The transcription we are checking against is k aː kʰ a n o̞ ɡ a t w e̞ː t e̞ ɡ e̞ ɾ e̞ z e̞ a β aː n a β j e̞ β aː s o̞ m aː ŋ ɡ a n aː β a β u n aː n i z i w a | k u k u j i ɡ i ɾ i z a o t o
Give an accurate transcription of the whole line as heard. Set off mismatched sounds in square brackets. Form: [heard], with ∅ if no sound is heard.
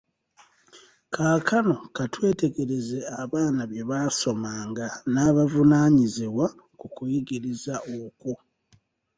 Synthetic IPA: k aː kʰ a n o̞ [k] a t w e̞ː t e̞ ɡ e̞ ɾ e̞ z e̞ a β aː n a β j e̞ β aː s o̞ m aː ŋ ɡ a n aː β a [v] u n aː [ɲ] i z i w a | k u k u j i ɡ i ɾ i z a o [k] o